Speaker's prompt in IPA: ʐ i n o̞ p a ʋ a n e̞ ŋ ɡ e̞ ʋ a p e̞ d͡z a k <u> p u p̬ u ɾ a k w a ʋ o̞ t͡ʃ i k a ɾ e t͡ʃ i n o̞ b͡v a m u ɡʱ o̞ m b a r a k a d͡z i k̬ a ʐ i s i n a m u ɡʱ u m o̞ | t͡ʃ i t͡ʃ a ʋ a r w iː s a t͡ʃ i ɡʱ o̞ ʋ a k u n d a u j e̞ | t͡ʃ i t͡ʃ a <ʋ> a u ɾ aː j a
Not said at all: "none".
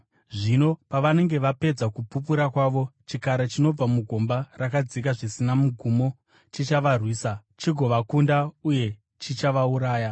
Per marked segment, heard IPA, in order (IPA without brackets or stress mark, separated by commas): u, ʋ